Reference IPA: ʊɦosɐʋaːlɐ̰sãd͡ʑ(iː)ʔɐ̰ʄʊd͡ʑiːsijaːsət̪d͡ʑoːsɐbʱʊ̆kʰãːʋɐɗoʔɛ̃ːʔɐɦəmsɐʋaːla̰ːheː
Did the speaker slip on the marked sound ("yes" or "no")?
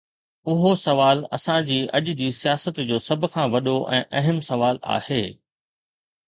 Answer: no